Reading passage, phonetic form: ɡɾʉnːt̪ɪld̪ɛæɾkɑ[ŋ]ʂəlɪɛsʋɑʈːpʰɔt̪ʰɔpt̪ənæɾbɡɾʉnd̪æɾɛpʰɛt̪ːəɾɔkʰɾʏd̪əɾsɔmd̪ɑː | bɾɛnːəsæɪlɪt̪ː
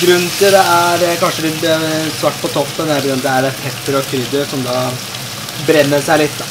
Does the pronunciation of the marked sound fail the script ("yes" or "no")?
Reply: yes